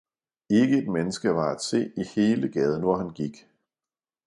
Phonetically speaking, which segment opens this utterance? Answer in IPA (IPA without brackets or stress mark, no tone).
e̝